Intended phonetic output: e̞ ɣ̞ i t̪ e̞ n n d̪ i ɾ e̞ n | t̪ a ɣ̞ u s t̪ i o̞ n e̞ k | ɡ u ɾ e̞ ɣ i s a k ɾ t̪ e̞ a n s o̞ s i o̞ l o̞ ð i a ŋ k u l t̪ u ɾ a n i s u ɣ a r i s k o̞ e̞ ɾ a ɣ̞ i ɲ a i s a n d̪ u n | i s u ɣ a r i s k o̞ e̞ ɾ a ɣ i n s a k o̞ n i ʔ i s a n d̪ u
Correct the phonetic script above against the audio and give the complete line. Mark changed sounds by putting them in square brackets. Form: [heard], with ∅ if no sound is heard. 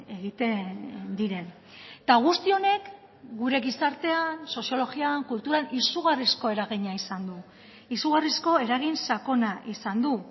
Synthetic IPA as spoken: e̞ ɣ̞ i t̪ e̞ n n d̪ i ɾ e̞ n | t̪ a ɣ̞ u s t̪ i o̞ n e̞ k | ɡ u ɾ e̞ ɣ i s a [∅] ɾ t̪ e̞ a n s o̞ s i o̞ l o̞ [ɣ] i a ŋ k u l t̪ u ɾ a n i s u ɣ a r i s k o̞ e̞ ɾ a ɣ̞ i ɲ a i s a n d̪ u [∅] | i s u ɣ a r i s k o̞ e̞ ɾ a ɣ i n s a k o̞ n [a] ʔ i s a n d̪ u